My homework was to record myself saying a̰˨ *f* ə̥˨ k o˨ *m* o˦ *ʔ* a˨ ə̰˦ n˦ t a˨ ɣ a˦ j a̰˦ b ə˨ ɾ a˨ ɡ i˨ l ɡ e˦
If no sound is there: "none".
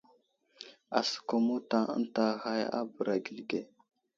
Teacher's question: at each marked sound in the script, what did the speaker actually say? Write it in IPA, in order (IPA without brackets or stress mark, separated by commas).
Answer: s, m, t